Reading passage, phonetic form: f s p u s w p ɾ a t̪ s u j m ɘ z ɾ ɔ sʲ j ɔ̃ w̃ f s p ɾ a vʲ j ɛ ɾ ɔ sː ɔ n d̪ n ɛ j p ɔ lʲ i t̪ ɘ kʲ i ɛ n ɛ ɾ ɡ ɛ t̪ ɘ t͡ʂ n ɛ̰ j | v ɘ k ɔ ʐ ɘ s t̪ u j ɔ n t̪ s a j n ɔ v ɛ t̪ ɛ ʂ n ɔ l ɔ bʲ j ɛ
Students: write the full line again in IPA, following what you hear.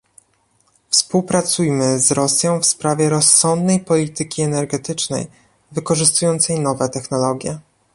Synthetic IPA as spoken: f s p u w p ɾ a t̪ s u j m ɘ z ɾ ɔ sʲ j ɔ̃ w̃ f s p ɾ a vʲ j ɛ ɾ ɔ sː ɔ n d̪ n ɛ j p ɔ lʲ i t̪ ɘ kʲ i ɛ n ɛ ɾ ɡ ɛ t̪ ɘ t͡ʂ n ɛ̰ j | v ɘ k ɔ ʐ ɘ s t̪ u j ɔ n t̪ s ɛ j n ɔ v ɛ t̪ ɛ x n ɔ l ɔ ɡʲ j ɛ